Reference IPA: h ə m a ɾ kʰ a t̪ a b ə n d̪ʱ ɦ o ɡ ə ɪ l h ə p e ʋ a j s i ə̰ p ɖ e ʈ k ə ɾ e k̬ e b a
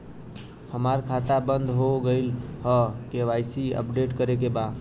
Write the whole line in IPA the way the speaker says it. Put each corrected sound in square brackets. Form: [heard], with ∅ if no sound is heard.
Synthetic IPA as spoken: h ə m a ɾ kʰ a t̪ a b ə n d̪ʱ ɦ o ɡ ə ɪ l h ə [k] e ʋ a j s i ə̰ p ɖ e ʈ k ə ɾ e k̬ e b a